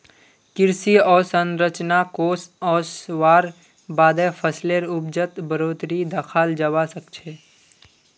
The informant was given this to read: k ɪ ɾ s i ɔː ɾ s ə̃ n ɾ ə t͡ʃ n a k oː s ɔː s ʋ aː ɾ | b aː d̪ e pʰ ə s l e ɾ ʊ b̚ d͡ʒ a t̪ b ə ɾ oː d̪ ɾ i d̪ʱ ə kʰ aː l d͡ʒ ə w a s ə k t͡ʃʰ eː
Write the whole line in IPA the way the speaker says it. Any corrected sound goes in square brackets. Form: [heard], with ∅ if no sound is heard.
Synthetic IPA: k ɪ ɾ s i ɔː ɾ s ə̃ n ɾ ə t͡ʃ n a k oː s ɔː s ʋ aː ɾ | b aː d̪ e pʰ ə s l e ɾ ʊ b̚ d͡ʒ [ə] t̪ b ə ɾ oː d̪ ɾ i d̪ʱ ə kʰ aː l d͡ʒ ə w a s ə k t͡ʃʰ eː